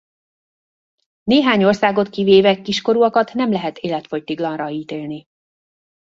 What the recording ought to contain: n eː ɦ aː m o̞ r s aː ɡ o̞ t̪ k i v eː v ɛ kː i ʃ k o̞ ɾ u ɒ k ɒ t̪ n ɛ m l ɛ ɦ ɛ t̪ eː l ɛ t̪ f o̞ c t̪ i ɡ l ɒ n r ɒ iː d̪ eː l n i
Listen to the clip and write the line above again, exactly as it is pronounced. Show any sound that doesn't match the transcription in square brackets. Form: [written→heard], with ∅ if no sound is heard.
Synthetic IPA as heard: n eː ɦ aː [m→ɲ] o̞ r s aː ɡ o̞ t̪ k i v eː v ɛ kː i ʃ k o̞ ɾ u ɒ k ɒ t̪ n ɛ m l ɛ ɦ ɛ t̪ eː l ɛ t̪ f o̞ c t̪ i ɡ l ɒ n r ɒ iː [d̪→t̪] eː l n i